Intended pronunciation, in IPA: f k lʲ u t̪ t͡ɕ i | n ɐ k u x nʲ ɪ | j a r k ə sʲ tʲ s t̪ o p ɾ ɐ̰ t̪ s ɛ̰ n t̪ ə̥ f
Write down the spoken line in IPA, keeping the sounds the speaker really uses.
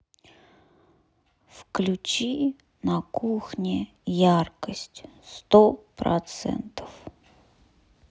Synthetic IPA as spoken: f k lʲ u t͡ɕ i | n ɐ k u x nʲ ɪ | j a r k ə sʲ tʲ s t̪ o p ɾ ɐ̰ t̪ s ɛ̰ n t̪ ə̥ f

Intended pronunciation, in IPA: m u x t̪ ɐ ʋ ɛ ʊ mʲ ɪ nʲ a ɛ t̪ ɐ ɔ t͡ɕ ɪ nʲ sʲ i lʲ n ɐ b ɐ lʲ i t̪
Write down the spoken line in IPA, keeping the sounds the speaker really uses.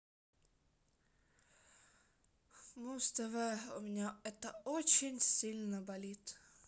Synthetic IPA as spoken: m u s t̪ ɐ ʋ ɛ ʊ mʲ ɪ nʲ a ɛ t̪ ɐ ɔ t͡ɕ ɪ nʲ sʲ i lʲ n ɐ b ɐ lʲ i t̪

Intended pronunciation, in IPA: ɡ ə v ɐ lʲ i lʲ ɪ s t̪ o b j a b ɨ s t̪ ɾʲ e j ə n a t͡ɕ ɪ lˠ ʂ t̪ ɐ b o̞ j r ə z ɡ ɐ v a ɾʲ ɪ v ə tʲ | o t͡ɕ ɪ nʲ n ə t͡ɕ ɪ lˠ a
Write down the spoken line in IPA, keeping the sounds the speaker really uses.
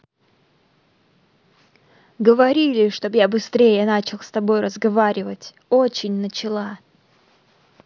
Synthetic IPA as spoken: ɡ ə v ɐ ɾʲ i lʲ ɪ ʂ t̪ o b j a b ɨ s t̪ ɾʲ e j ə n a t͡ɕ ɪ lˠ s t̪ ɐ b o̞ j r ə z ɡ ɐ v a ɾʲ ɪ v ə tʲ | o t͡ɕ ɪ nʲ n ə t͡ɕ ɪ lˠ a

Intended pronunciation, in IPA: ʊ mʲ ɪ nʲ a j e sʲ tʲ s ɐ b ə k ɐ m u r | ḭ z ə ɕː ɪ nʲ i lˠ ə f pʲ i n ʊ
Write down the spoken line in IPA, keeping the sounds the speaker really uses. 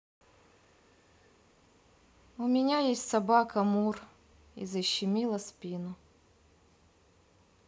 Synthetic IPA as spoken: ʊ mʲ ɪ nʲ a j e sʲ tʲ s ɐ b a k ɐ m u r | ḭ z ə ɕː ɪ mʲ i lˠ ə s pʲ i n ʊ

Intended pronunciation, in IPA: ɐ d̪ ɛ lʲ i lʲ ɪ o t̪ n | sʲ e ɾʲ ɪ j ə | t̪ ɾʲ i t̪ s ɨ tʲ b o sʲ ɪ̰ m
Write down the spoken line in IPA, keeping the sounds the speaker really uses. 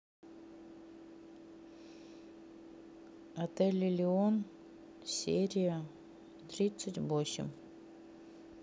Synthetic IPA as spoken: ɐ t̪ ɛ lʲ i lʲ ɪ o n | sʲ e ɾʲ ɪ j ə | t̪ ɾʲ i t̪ s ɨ tʲ b o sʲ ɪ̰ m

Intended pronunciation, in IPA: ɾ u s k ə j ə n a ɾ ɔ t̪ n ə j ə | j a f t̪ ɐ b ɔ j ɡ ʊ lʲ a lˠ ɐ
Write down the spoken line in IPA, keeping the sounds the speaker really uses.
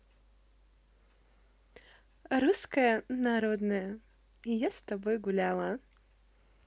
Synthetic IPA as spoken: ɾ u s k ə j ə n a ɾ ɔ d̪ n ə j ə | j a s t̪ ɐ b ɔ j ɡ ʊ lʲ a lˠ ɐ

